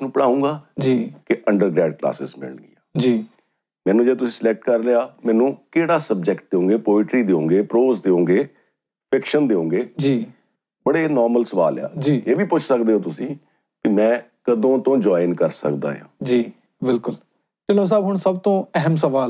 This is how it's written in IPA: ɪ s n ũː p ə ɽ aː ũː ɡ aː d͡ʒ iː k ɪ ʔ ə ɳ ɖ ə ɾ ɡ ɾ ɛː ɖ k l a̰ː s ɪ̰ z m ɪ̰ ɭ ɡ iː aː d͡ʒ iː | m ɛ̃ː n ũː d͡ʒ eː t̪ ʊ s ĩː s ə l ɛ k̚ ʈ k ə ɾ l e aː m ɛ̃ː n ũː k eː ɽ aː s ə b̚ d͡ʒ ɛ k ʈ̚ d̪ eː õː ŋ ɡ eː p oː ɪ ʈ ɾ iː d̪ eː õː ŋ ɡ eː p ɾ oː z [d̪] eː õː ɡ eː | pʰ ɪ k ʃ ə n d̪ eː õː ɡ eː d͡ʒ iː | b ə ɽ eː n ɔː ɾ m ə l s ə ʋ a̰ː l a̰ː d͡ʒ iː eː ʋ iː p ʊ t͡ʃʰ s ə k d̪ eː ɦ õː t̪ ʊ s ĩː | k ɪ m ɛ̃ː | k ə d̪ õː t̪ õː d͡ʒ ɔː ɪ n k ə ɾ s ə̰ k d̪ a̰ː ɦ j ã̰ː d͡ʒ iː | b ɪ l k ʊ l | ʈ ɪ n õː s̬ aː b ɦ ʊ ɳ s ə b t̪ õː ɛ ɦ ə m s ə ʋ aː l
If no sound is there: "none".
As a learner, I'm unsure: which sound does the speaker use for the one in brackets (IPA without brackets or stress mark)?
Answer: d̪